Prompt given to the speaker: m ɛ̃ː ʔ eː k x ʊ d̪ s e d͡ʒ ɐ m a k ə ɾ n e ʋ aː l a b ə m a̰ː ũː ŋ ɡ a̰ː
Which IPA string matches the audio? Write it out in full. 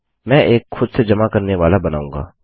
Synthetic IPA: m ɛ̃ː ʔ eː k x ʊ d̪ s e d͡ʒ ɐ m a k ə ɾ n e ʋ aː l a b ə n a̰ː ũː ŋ ɡ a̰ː